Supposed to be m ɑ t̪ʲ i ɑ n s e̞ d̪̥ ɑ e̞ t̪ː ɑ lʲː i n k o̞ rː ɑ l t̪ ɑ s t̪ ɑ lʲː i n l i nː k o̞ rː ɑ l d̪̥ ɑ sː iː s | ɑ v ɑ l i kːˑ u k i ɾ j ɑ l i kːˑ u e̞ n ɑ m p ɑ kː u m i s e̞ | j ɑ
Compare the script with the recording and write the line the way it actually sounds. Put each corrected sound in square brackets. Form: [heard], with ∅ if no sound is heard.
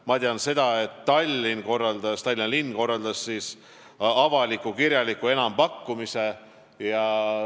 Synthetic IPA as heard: m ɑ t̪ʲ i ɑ n s e̞ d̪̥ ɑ e̞ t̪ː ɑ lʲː i n k o̞ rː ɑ l [d̪] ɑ s t̪ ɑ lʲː i n l i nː k o̞ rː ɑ l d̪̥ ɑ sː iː s | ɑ v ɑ l i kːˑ u k i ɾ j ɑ l i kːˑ u e̞ n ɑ m p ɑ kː u m i s e̞ | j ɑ